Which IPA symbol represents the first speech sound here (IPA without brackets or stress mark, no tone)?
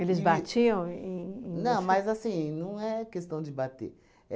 e